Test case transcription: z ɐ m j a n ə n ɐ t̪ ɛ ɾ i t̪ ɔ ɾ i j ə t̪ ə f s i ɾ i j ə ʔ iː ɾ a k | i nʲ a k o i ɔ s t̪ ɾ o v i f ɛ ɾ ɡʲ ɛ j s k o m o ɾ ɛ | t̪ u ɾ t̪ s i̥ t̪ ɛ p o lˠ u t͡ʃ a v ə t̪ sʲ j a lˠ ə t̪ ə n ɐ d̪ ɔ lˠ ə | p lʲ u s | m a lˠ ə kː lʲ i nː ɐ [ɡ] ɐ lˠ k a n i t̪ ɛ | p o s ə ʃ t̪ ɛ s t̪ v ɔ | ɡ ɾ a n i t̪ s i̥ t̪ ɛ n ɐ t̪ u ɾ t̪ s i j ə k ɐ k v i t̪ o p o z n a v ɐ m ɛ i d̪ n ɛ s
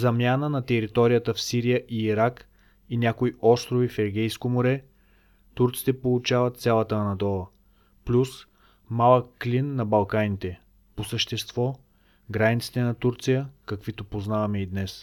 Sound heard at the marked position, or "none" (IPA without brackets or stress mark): b